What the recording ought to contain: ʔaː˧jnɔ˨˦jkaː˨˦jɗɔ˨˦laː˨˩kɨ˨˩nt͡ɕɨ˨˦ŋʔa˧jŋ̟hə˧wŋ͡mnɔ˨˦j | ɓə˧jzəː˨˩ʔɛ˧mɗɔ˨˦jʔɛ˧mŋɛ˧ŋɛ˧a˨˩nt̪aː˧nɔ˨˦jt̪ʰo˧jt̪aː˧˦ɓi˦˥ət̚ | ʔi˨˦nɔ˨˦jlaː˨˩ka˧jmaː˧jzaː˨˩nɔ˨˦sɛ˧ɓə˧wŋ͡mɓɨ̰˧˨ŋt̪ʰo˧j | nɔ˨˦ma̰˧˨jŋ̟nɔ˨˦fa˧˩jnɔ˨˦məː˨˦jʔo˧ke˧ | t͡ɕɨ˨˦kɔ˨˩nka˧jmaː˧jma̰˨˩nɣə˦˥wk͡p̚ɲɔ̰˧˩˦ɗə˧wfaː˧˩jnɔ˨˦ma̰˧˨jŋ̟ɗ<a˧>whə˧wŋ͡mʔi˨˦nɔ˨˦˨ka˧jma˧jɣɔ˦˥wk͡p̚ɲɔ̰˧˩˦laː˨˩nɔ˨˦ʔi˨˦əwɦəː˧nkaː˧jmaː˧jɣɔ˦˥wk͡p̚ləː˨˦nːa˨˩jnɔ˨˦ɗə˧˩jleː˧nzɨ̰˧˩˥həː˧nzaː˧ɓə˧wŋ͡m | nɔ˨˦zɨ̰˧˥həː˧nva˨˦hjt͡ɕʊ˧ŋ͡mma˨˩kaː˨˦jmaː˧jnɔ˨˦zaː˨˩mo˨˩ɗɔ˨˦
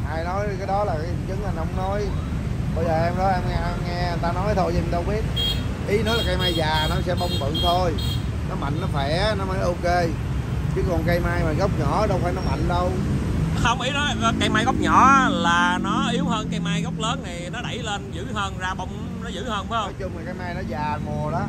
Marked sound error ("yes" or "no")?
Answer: yes